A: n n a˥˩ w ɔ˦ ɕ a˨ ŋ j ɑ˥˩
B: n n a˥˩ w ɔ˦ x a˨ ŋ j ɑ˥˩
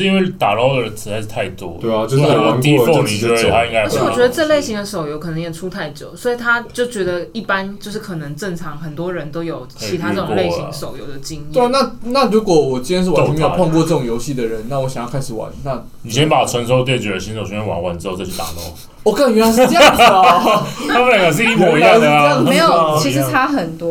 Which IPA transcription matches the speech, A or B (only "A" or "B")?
A